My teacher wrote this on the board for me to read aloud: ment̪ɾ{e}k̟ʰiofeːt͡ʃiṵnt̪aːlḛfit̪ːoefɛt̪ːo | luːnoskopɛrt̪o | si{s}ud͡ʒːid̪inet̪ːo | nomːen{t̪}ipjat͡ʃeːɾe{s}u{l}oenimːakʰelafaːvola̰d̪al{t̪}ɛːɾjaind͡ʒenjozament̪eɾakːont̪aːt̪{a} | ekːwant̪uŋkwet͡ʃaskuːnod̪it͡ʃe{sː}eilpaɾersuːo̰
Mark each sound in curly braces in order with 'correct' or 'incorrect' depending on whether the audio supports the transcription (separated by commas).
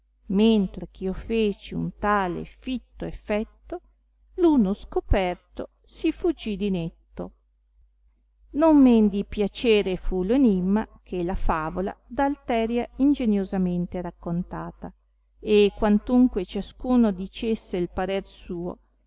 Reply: correct, incorrect, incorrect, incorrect, correct, correct, correct, correct